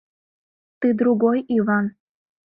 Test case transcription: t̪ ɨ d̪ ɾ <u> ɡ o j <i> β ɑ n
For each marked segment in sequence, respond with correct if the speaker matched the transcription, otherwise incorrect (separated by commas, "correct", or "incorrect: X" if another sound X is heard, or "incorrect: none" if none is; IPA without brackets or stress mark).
correct, correct